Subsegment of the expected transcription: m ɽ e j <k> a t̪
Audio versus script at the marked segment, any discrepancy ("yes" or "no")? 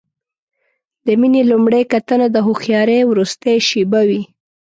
no